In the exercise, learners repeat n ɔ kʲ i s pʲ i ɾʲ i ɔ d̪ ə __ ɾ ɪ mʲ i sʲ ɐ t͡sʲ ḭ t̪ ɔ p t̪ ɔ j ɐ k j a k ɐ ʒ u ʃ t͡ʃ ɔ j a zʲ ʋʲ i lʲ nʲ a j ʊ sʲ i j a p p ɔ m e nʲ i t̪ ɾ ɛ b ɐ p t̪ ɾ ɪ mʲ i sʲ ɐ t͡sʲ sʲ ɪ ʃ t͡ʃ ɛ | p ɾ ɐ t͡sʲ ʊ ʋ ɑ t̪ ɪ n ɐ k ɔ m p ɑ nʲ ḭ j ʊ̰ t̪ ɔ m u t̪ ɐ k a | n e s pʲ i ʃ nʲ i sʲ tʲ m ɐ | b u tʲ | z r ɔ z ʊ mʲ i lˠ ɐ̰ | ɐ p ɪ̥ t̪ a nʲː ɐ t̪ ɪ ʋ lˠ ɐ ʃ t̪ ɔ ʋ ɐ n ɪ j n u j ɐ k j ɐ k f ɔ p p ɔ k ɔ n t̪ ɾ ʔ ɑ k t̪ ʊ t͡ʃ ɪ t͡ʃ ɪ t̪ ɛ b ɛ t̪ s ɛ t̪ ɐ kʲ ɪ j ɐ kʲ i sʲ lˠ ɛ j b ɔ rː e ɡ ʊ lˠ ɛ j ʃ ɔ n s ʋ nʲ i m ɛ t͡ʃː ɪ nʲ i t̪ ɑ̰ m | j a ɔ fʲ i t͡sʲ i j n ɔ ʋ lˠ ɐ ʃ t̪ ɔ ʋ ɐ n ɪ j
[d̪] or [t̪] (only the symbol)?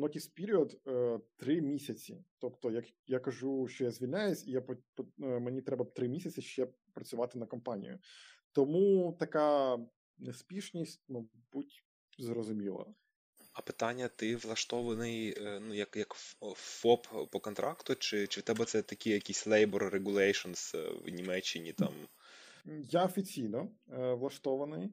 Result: t̪